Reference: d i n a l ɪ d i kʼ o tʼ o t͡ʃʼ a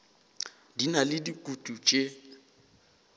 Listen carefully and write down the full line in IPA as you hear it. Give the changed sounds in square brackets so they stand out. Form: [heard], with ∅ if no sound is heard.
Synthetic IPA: d i n a l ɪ d i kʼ [u] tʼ [u] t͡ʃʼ [e]